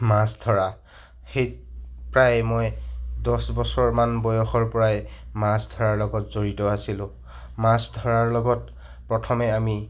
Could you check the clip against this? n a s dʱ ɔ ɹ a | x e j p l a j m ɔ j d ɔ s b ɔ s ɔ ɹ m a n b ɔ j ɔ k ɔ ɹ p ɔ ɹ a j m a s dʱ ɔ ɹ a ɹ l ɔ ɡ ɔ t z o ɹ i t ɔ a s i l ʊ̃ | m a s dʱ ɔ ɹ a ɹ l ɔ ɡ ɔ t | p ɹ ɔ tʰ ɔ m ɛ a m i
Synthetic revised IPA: m a s dʱ ɔ ɹ a | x e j p ɹ a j m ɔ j d ɔ s b ɔ s ɔ ɹ m a n b ɔ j ɔ x ɔ ɹ p ɔ ɹ a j m a s dʱ ɔ ɹ a ɹ l ɔ ɡ ɔ t z o ɹ i t ɔ a s i l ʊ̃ | m a s dʱ ɔ ɹ a ɹ l ɔ ɡ ɔ t | p ɹ ɔ tʰ ɔ m ɛ a m i